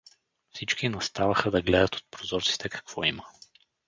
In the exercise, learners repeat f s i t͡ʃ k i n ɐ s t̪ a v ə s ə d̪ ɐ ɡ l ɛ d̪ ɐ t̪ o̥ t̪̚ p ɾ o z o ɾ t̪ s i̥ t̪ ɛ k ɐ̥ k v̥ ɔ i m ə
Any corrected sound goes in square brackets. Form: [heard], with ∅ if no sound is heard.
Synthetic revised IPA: f s i t͡ʃ k i n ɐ s t̪ a v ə [x] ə d̪ ɐ ɡ l ɛ d̪ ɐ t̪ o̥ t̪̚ p ɾ o z [ɔ] ɾ t̪ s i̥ t̪ ɛ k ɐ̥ k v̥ ɔ i m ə